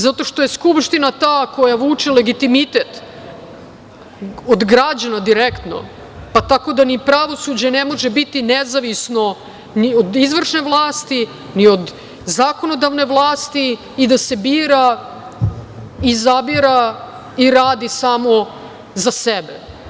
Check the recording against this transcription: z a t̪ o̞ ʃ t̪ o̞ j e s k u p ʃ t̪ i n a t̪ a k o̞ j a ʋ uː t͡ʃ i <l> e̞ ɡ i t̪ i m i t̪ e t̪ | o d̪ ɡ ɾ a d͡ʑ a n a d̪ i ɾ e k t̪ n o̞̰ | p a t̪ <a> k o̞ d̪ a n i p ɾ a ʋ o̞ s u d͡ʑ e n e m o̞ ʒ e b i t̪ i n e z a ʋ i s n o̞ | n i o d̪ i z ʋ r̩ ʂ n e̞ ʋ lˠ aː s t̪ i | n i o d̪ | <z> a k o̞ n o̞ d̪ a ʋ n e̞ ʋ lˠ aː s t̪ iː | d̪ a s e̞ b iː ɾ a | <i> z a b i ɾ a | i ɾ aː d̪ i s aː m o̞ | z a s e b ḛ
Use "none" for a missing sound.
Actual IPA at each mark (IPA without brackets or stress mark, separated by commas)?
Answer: l, a, z, i